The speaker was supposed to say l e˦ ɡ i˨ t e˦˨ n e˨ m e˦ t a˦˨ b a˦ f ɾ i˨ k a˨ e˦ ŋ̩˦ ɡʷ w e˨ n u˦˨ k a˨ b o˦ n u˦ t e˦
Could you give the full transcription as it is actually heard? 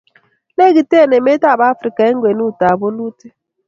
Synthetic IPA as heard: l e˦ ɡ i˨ t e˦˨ n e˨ m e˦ t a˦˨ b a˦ f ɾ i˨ k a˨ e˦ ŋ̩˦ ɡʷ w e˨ n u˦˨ t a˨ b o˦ n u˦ t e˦